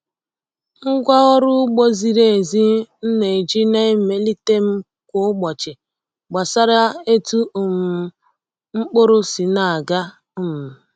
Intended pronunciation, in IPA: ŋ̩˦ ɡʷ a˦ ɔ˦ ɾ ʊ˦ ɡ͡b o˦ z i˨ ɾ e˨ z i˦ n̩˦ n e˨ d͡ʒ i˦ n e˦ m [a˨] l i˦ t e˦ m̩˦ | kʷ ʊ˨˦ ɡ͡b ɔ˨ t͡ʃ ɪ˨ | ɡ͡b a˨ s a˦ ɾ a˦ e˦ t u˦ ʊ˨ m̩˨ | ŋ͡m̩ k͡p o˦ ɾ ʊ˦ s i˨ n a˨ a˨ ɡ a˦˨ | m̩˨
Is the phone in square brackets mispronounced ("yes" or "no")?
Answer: yes